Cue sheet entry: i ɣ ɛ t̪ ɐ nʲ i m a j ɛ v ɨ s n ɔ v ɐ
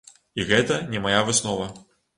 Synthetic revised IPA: i ɣ ɛ t̪ ɐ nʲ ɛ m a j a v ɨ s n ɔ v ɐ